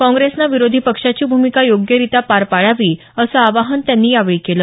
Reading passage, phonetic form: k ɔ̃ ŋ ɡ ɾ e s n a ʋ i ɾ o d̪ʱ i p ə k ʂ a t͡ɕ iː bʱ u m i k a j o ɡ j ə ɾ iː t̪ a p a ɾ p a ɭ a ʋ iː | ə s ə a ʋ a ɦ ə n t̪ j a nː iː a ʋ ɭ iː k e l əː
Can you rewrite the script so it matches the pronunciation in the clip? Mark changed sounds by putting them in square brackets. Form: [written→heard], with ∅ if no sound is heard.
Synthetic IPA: k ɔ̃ ŋ ɡ ɾ e s n a ʋ i ɾ o d̪ʱ i p ə k ʂ a t͡ɕ iː bʱ u m i k a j o ɡ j ə ɾ [iː→i] t̪ a p a ɾ p a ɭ a ʋ iː | ə s ə a ʋ a ɦ ə n t̪ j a nː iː a ʋ ɭ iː k e l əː